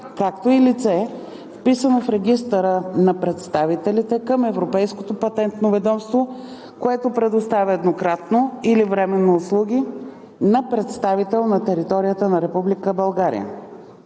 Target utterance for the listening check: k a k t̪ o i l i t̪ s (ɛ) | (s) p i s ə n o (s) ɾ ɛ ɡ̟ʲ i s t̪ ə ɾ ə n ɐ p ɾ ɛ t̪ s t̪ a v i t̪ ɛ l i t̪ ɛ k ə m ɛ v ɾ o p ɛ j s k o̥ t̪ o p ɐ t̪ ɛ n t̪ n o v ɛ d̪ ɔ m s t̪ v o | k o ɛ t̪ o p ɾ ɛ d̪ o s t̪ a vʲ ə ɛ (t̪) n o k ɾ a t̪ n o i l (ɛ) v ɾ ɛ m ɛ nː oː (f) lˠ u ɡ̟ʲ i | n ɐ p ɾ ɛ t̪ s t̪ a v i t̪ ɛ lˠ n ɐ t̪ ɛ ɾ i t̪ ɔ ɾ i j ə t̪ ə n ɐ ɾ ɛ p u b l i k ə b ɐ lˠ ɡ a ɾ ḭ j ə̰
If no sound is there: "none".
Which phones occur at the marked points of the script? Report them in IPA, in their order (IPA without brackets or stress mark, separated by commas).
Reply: ɛ, f, f, d̪, i, s